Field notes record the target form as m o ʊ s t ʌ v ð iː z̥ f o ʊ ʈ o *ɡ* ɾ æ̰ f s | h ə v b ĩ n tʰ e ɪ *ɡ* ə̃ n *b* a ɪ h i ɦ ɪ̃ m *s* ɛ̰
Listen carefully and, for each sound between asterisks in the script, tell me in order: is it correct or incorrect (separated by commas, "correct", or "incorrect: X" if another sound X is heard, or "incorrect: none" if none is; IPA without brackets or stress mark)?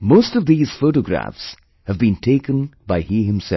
correct, incorrect: k, correct, correct